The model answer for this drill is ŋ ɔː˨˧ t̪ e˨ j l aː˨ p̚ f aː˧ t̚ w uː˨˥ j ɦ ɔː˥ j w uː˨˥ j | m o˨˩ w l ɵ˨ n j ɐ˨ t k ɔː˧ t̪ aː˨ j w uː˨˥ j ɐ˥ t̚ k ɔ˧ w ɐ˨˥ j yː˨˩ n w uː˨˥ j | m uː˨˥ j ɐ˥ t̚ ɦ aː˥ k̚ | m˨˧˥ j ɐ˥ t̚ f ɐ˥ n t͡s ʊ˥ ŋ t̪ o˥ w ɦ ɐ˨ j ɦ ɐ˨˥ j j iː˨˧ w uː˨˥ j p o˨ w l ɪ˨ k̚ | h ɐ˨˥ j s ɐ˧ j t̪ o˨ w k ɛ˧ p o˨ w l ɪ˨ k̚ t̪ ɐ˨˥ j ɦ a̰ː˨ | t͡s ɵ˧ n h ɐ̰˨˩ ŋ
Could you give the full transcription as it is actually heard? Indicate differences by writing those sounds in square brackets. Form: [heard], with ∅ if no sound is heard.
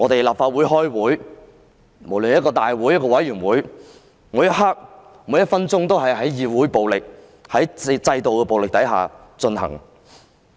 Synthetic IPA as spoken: ŋ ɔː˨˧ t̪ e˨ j l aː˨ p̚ f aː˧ t̚ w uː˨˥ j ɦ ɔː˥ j w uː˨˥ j | m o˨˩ w l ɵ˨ n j [ɐ˥] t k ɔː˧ t̪ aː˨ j w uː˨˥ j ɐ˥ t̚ k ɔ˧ w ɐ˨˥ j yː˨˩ n w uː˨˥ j | m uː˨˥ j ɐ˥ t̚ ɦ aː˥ k̚ | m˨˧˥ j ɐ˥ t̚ f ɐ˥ n t͡s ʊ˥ ŋ t̪ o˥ w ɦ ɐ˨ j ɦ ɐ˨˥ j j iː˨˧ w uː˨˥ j p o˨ w l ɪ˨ k̚ | h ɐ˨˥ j [t͡s] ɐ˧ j t̪ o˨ w k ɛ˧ p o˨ w l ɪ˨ k̚ t̪ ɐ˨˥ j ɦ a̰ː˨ | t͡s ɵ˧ n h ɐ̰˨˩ ŋ

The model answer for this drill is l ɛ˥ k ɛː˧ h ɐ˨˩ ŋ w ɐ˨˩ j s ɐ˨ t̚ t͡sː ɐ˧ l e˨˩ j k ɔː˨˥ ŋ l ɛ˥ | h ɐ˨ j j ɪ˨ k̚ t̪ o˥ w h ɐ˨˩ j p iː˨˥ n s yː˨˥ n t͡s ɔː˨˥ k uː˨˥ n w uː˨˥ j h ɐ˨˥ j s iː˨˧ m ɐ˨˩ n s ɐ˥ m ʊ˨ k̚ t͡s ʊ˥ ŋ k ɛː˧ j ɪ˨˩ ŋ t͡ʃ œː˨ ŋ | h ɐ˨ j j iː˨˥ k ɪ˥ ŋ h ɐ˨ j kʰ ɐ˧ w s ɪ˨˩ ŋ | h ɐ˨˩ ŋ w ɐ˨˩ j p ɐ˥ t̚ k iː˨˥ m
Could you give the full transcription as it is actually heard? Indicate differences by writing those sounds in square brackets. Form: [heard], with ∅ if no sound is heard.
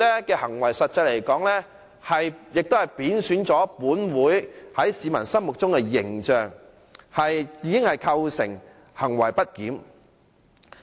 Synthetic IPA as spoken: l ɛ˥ k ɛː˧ h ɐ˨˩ ŋ w ɐ˨˩ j s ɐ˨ t̚ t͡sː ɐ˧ l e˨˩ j k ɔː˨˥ ŋ l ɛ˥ | h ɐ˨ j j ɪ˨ k̚ t̪ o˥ w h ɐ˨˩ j p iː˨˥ n s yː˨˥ n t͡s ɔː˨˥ [p] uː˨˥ n w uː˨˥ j h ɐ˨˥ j s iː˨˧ m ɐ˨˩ n s ɐ˥ m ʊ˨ k̚ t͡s ʊ˥ ŋ k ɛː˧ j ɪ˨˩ ŋ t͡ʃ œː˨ ŋ | h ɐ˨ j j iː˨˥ k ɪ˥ ŋ h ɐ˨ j kʰ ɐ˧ w s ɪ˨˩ ŋ | h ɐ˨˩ ŋ w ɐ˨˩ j p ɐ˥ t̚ k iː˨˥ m

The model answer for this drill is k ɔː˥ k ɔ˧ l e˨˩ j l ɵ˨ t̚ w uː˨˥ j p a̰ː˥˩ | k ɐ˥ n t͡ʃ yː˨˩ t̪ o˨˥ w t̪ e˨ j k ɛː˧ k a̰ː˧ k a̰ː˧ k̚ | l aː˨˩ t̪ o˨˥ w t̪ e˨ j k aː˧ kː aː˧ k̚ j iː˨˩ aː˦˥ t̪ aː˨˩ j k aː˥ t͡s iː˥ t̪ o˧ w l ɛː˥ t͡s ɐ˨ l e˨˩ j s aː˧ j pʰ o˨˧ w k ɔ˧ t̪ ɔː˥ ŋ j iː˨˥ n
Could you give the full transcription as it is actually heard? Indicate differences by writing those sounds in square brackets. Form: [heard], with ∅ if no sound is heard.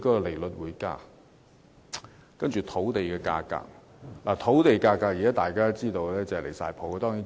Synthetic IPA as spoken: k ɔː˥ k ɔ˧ l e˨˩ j l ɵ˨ t̚ w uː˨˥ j [k] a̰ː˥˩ | k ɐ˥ n t͡ʃ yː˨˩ [t̪ʰ] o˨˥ w t̪ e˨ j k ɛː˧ k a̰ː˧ k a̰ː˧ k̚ | l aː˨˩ [t̪ʰ] o˨˥ w t̪ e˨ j k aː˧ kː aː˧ k̚ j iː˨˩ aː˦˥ t̪ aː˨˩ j k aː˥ t͡s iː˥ t̪ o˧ w l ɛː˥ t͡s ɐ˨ l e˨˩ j s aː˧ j pʰ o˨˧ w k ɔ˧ t̪ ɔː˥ ŋ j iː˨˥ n

